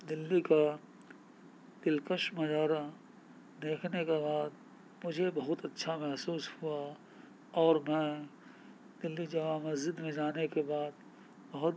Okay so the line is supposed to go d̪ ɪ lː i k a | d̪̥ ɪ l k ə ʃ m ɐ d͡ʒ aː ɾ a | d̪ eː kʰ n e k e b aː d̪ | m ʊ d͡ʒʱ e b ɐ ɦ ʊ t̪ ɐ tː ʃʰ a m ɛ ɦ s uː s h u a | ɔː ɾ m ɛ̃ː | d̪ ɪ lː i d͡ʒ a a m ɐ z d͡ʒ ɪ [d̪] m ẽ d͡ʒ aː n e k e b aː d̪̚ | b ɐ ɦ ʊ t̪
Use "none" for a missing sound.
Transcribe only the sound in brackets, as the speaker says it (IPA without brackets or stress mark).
d̪